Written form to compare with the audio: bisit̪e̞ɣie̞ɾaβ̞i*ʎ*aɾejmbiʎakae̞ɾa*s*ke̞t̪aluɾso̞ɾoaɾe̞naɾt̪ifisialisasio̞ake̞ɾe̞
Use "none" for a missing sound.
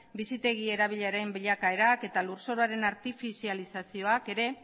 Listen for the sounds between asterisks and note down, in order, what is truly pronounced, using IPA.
ʎ, none

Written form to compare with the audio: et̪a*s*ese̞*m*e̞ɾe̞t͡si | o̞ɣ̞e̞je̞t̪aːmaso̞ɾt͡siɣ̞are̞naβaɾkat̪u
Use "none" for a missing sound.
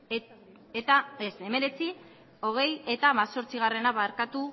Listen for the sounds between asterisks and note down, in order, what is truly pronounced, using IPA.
none, m

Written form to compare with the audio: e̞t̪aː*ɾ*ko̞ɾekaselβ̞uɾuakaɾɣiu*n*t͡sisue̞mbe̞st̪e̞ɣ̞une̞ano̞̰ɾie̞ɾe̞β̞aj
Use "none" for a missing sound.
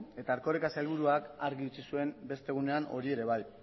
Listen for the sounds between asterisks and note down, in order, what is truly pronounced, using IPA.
ɾ, none

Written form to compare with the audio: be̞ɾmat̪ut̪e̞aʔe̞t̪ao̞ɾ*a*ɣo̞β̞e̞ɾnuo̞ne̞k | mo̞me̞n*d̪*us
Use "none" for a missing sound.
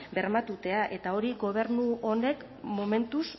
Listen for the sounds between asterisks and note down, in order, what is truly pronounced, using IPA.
i, t̪

